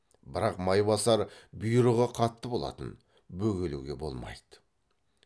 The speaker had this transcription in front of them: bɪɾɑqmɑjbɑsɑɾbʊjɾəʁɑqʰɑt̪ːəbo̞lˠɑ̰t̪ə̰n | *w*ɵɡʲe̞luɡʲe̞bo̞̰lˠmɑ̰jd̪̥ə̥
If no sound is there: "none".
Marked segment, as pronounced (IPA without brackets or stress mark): b